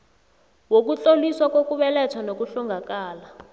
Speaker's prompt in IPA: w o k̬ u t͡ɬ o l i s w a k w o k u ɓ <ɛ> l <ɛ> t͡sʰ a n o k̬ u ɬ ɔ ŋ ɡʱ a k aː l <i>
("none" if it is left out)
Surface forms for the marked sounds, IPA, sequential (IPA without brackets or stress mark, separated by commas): ɛ, ɛ, a